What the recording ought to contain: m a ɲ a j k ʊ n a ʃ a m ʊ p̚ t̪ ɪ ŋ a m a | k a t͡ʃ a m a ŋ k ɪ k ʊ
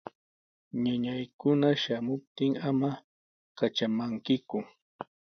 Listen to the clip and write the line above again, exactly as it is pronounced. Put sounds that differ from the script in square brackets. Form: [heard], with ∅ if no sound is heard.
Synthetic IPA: [ɲ] a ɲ a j k ʊ n a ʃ a m ʊ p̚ t̪ ɪ ŋ a m a | k a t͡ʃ a m a ŋ k ɪ k ʊ